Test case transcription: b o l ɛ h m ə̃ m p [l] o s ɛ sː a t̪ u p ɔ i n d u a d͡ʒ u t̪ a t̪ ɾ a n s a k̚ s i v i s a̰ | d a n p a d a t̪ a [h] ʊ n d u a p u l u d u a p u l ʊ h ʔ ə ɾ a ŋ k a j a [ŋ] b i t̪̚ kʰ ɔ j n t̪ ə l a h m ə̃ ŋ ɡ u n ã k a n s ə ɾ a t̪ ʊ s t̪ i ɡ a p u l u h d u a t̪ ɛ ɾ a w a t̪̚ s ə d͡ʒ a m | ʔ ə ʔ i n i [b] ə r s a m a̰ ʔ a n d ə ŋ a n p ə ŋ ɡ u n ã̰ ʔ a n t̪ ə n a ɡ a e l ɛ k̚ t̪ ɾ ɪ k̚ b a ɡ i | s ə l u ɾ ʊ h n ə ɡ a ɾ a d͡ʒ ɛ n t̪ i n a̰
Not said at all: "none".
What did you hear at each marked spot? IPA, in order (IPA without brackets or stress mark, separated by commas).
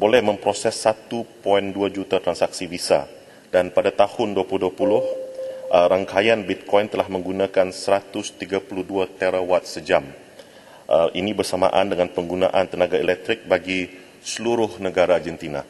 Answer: ɾ, h, n, b